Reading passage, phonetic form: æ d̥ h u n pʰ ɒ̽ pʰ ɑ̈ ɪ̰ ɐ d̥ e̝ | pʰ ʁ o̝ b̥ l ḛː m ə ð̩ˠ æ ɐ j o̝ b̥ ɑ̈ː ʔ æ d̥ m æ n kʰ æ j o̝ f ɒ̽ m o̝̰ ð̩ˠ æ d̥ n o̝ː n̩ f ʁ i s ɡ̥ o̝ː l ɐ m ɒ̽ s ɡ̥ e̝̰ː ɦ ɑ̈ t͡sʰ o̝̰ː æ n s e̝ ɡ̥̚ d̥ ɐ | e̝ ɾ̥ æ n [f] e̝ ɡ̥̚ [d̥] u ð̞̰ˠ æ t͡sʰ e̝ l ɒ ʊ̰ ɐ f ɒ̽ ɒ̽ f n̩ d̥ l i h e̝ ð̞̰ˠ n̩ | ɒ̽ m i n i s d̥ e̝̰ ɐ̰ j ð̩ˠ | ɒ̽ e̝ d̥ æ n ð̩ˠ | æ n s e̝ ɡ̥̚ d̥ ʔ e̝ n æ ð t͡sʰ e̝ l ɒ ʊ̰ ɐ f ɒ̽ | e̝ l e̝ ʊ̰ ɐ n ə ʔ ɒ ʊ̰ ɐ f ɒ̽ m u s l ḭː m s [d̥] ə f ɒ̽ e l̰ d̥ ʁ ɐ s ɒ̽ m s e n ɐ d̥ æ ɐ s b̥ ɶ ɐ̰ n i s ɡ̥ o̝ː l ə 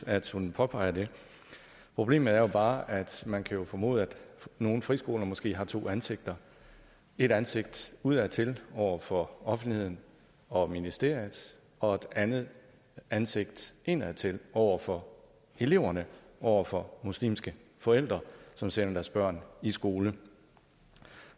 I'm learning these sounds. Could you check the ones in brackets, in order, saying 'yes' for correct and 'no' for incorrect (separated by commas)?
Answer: no, yes, no